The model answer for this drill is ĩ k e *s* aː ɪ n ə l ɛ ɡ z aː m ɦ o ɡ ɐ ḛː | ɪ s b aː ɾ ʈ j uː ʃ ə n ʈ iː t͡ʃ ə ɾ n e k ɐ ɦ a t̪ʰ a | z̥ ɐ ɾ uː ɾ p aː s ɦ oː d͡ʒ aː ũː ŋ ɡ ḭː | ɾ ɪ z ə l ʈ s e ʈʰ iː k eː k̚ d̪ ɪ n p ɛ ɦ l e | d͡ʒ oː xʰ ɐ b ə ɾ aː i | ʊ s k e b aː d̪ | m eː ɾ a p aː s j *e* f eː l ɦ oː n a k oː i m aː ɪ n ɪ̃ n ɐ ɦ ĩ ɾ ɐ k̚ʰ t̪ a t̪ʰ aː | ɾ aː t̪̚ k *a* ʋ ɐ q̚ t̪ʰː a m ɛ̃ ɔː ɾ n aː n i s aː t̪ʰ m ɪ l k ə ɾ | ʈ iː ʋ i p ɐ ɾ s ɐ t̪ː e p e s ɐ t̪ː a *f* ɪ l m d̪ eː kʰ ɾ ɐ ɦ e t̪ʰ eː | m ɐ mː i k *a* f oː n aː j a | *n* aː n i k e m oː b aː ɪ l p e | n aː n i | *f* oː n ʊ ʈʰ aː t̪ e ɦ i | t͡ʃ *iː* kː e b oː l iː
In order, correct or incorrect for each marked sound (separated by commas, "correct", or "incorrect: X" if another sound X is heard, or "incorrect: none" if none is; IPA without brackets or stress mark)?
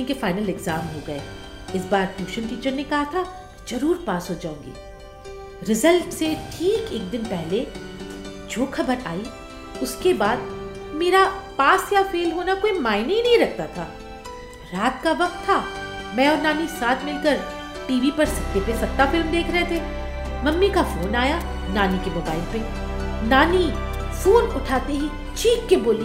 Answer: incorrect: f, incorrect: a, correct, correct, correct, correct, correct, correct